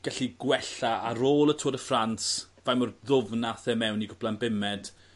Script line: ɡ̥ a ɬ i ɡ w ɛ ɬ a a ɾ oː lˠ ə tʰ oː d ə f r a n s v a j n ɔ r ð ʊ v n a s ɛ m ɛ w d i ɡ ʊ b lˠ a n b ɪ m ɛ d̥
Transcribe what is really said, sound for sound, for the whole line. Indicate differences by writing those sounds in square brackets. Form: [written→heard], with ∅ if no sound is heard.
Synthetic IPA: ɡ̥ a ɬ i ɡ w ɛ ɬ a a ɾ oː lˠ ə tʰ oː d ə f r a n s v a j [n→m] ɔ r ð ʊ v n a [s→θ] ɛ m ɛ w [d→n] i ɡ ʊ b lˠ a n b ɪ m ɛ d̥